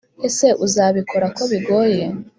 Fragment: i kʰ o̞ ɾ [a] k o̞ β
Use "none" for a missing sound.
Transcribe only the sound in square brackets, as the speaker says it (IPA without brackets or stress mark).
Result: a